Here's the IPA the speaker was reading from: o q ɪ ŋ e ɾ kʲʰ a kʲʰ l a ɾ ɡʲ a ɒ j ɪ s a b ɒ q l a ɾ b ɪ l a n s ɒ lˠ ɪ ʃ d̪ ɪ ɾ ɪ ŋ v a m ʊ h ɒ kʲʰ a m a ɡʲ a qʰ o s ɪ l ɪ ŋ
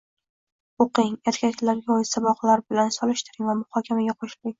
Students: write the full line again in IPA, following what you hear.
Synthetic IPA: o q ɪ ŋ e ɾ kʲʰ a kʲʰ l a ɾ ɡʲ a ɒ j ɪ s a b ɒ q l a ɾ b ɪ l a n s ɒ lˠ ɪ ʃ t̪ ɪ ɾ ɪ ŋ v a m ʊ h ɒ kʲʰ a m a ɡʲ a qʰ o ʃ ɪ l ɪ ŋ